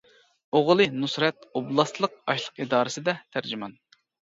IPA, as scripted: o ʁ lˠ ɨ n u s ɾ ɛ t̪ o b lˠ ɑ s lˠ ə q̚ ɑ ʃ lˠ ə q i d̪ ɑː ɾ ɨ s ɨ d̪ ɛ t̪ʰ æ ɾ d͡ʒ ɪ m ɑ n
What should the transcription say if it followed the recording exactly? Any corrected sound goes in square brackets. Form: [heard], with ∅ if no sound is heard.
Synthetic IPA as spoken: o ʁ lˠ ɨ n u s ɾ ɛ t̪ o b lˠ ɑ s lˠ ə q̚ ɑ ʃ lˠ ə q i d̪ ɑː ɾ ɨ s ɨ d̪ ɛ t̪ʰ æ ɾ d͡ʒ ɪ m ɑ n